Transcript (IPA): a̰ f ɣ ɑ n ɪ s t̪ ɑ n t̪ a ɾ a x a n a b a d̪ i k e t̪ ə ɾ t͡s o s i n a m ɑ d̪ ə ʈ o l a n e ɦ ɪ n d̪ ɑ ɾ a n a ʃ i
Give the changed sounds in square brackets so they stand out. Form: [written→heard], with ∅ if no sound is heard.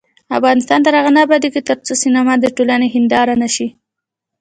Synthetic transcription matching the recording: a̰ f ɣ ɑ n ɪ s t̪ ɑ n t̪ a ɾ a [x→ɣ] a n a b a d̪ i k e t̪ ə ɾ t͡s o s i n a m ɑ d̪ ə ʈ o l a n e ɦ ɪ n d̪ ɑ ɾ a n a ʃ i